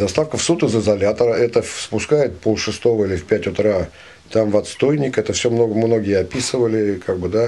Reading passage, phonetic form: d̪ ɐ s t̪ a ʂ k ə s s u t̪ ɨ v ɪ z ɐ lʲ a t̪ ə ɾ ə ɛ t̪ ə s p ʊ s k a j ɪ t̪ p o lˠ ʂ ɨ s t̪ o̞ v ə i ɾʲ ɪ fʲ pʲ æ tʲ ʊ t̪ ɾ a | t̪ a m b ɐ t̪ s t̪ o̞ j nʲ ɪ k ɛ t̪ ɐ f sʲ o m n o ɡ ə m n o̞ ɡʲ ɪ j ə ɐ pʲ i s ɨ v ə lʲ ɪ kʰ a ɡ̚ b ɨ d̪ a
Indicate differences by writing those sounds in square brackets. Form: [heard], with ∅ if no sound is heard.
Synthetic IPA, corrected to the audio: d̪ ɐ s t̪ a [f] k ə [f] s u t̪ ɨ [z] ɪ z ɐ lʲ a t̪ ə ɾ ə ɛ t̪ ə s p ʊ s k a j ɪ t̪ p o lˠ ʂ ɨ s t̪ o̞ v ə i [lʲ] ɪ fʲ pʲ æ tʲ ʊ t̪ ɾ a | t̪ a m [v] ɐ t̪ s t̪ o̞ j nʲ ɪ k ɛ t̪ [ə] f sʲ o m n o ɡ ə m n o̞ ɡʲ ɪ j ə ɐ pʲ i s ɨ v ə lʲ ɪ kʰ a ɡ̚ b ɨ d̪ a